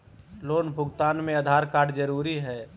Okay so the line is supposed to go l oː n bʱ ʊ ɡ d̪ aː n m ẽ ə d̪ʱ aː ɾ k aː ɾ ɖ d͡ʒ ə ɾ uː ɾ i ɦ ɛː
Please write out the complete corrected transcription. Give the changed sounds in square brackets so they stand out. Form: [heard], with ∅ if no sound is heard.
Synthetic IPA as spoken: l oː n bʱ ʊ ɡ [t̪] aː n m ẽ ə d̪ʱ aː ɾ k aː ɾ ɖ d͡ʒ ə ɾ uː ɾ i ɦ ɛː

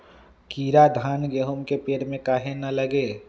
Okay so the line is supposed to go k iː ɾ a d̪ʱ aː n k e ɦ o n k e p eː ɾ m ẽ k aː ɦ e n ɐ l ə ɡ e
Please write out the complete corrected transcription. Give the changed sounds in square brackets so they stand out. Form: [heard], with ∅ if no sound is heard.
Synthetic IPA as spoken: k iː ɾ a d̪ʱ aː n [ɡ] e ɦ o [m] k e p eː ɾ m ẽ k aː ɦ e n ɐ l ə ɡ e

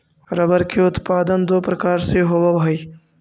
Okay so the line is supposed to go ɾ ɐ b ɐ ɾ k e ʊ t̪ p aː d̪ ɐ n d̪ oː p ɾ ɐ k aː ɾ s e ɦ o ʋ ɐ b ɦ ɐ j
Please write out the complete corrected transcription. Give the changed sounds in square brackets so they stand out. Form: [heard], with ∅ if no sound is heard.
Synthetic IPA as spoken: ɾ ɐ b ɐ ɾ k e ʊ t̪ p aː d̪ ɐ n d̪ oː p ɾ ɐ k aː ɾ s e ɦ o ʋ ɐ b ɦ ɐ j

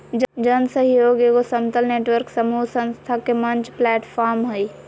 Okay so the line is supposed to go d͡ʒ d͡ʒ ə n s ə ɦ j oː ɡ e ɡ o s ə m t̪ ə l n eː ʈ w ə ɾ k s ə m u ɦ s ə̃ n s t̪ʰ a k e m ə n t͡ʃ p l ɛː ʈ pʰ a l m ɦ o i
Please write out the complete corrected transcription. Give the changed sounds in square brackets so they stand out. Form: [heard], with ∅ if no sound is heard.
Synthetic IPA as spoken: d͡ʒ d͡ʒ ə n s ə ɦ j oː ɡ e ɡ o s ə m t̪ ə l n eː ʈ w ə ɾ k s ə m u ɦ s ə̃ n s t̪ʰ a k e m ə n t͡ʃ p l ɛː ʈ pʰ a [ɾ] m ɦ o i

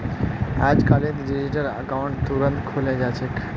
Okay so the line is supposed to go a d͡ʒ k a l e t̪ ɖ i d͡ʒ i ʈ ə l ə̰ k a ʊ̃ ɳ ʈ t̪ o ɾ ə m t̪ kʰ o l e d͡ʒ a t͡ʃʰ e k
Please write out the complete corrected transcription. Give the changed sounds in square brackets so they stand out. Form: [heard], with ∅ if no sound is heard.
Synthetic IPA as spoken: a d͡ʒ k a l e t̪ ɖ i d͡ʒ i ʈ ə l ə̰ k a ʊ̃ ɳ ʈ t̪ [u] ɾ ə [n] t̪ kʰ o l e d͡ʒ a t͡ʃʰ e k

